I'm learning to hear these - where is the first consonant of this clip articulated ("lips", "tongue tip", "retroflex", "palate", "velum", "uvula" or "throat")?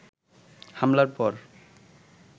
throat